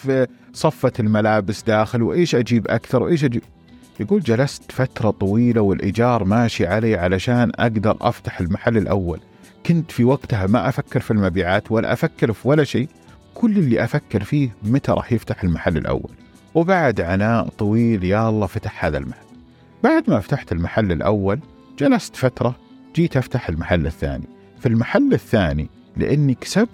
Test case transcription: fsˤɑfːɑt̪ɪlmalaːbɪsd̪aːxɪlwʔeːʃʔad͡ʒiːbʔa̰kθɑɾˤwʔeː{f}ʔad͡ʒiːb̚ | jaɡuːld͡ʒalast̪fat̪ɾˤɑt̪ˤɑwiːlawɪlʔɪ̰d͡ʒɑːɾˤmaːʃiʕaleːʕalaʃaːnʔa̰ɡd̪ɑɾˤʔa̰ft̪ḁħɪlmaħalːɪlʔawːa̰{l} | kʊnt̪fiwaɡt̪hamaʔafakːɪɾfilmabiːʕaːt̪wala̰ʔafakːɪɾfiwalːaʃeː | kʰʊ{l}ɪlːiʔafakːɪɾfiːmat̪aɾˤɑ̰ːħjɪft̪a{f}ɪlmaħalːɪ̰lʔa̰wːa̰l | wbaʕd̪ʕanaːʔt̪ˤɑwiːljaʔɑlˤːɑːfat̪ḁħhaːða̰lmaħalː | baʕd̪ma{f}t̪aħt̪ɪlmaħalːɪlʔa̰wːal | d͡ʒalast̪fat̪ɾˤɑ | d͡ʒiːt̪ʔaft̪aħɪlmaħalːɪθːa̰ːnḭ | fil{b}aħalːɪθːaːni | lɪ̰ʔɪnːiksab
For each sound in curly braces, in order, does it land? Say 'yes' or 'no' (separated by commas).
no, yes, no, no, yes, no